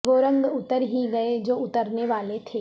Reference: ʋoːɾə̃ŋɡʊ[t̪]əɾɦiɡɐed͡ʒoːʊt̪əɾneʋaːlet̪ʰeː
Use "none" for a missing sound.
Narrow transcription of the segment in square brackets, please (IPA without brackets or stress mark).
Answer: t̪